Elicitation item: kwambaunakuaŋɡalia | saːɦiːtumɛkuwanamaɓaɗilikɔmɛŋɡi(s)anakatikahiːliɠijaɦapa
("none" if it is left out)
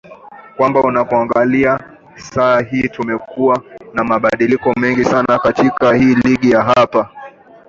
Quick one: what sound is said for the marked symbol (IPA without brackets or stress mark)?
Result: s